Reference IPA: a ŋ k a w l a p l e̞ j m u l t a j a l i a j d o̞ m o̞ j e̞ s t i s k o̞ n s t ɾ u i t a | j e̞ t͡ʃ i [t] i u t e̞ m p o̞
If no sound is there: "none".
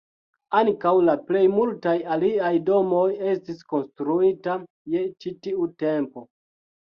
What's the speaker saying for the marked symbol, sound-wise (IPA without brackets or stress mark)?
t